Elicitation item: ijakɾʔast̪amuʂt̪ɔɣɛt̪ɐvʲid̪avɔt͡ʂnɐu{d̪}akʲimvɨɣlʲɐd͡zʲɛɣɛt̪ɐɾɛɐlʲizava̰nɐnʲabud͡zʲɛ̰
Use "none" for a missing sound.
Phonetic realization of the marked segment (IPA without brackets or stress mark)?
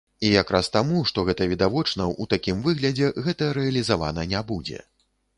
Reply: t̪